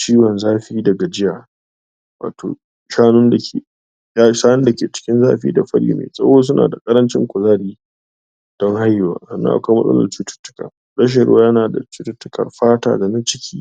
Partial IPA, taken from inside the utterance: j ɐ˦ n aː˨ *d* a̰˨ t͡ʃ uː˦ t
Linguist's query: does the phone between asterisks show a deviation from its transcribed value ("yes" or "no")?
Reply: no